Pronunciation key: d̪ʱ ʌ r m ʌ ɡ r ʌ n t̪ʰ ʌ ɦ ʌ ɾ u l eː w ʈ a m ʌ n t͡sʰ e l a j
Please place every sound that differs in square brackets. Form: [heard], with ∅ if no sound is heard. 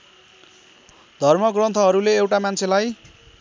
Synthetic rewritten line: d̪ʱ ʌ r m ʌ ɡ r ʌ n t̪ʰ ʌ ɦ ʌ ɾ u l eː w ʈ a m [a] n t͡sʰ e l a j